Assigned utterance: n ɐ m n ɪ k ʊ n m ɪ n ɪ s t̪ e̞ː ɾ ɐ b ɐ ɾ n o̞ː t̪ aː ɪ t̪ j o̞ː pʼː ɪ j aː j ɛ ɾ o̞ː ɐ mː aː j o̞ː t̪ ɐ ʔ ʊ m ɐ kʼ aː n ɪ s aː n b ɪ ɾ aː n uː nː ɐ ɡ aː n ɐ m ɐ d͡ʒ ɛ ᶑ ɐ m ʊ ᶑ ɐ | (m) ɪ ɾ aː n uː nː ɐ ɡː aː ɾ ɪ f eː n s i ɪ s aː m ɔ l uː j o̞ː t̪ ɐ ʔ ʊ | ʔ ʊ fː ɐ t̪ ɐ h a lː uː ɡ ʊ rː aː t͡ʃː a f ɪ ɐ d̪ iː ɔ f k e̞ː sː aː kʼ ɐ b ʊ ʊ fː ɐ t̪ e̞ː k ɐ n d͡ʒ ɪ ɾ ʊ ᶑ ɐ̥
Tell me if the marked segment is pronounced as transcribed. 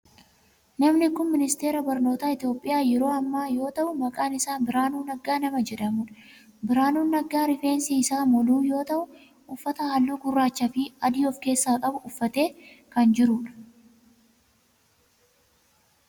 no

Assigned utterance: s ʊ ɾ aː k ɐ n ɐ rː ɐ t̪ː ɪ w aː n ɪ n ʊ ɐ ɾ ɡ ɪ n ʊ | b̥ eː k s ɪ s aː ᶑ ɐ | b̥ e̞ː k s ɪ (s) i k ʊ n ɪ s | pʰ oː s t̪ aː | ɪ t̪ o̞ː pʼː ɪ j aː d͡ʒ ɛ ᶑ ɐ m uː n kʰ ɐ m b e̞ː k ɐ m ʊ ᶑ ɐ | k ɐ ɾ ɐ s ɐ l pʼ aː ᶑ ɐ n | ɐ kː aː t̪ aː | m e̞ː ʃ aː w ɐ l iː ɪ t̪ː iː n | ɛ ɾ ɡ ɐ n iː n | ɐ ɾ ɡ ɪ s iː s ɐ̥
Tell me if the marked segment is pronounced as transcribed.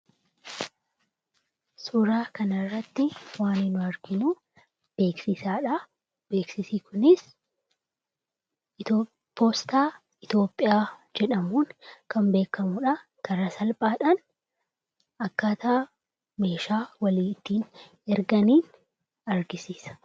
yes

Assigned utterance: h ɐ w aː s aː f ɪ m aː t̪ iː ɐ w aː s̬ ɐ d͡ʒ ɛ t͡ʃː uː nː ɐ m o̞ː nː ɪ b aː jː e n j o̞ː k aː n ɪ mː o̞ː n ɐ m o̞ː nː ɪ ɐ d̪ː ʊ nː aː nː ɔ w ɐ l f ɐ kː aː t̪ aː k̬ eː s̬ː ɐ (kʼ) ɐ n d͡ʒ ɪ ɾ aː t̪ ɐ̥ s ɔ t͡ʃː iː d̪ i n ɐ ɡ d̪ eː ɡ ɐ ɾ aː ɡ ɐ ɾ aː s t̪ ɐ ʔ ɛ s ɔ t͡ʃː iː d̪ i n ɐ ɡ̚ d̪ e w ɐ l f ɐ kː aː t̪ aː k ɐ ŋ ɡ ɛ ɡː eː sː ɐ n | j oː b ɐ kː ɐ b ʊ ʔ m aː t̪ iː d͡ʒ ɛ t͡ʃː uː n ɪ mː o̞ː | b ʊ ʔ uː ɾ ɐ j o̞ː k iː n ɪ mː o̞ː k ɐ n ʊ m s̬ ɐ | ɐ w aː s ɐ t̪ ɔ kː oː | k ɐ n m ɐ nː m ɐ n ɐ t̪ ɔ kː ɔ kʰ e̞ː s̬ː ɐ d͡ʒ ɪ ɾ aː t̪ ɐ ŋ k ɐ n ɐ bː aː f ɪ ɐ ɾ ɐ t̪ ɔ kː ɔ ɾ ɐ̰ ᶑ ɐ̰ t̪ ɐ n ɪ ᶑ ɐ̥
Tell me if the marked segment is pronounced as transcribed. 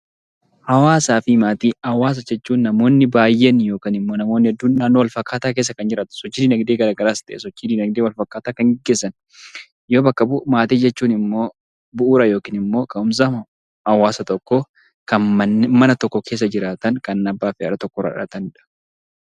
no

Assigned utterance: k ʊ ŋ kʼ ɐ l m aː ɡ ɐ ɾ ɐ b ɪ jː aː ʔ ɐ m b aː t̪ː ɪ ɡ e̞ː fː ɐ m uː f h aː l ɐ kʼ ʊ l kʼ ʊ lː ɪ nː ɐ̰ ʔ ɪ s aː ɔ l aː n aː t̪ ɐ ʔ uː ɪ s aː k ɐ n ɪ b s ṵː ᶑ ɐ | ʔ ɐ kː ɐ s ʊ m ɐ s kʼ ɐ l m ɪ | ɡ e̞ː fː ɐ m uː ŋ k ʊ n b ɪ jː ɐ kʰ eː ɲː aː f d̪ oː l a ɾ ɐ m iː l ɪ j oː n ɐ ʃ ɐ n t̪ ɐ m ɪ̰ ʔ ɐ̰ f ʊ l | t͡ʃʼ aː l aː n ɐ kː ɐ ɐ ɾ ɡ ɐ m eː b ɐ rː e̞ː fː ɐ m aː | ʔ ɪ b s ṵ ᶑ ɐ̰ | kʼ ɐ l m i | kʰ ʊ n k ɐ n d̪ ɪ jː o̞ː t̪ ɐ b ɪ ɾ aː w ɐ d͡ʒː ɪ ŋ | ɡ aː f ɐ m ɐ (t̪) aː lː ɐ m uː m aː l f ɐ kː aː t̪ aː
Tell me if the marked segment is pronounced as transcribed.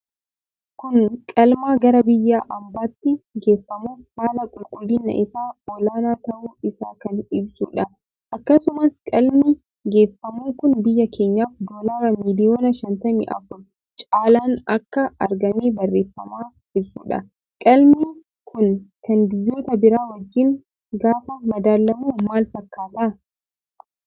no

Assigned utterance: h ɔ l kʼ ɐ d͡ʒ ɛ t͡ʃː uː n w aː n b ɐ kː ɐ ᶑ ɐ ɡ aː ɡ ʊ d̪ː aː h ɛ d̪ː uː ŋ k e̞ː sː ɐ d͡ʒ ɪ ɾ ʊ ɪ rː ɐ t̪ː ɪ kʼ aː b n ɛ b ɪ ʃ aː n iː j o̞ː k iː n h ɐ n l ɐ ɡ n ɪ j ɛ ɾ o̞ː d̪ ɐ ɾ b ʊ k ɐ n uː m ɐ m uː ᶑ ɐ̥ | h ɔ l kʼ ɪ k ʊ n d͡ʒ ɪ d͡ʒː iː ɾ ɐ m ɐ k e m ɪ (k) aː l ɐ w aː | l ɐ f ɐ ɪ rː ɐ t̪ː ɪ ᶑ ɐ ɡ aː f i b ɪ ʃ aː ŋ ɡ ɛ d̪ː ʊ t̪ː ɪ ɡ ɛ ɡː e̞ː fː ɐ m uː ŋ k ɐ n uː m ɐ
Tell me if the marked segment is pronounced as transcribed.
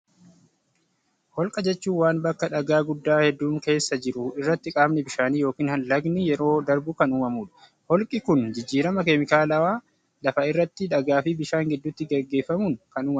yes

